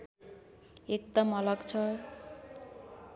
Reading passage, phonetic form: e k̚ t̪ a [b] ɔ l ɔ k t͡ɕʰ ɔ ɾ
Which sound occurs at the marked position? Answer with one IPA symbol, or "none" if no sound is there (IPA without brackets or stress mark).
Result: m